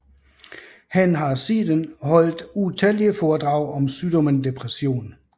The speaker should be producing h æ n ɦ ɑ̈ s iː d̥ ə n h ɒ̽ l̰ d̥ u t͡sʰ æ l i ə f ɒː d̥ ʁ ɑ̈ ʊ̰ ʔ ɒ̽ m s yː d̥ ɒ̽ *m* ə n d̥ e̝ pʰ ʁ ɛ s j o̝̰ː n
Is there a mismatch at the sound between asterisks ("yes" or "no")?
no